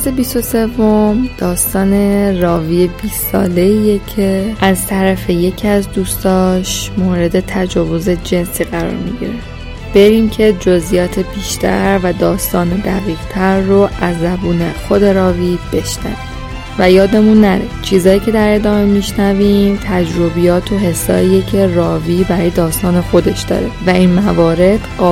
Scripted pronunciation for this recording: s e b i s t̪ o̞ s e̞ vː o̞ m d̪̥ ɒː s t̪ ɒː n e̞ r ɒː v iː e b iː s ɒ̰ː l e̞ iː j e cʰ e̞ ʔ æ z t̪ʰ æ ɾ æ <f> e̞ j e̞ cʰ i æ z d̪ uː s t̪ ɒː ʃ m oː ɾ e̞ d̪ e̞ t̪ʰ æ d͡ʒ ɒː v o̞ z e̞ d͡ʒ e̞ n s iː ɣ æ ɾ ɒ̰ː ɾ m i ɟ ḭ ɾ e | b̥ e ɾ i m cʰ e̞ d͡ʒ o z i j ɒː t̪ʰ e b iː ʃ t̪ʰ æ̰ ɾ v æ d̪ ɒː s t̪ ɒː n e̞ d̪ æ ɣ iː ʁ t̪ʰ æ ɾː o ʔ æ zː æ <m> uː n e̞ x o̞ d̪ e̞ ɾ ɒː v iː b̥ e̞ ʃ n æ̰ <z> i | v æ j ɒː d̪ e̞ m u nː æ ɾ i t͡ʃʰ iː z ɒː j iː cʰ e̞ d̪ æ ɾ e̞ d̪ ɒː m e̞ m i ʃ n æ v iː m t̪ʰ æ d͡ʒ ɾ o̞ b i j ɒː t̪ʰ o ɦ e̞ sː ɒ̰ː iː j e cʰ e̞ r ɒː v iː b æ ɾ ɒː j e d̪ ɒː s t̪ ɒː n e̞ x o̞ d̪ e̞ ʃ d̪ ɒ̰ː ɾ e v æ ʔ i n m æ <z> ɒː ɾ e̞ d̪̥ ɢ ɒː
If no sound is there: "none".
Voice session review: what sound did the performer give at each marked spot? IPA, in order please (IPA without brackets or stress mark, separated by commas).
f, b, v, v